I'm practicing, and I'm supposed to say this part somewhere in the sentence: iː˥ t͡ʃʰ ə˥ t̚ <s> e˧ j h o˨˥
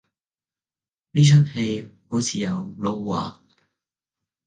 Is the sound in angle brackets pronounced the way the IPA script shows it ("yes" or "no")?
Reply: no